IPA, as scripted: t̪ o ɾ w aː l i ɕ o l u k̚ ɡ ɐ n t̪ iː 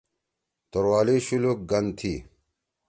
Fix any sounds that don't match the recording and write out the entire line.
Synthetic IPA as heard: t̪ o ɾ w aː l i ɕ u l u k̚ ɡ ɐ n t̪ʰ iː

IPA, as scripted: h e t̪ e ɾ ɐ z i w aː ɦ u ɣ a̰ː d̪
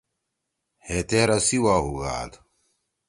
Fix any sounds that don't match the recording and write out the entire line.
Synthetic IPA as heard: h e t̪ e ɾ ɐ s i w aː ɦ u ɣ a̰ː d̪

